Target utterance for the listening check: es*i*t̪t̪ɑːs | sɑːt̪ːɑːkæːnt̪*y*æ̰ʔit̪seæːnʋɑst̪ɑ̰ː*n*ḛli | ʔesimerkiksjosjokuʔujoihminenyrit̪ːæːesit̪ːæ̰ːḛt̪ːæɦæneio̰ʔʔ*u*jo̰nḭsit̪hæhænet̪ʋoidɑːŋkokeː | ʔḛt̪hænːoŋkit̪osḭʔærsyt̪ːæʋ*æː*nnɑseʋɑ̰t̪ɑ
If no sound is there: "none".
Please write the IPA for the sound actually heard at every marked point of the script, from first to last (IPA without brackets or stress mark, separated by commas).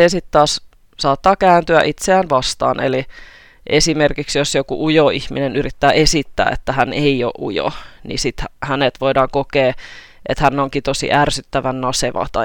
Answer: i, y, n, u, æ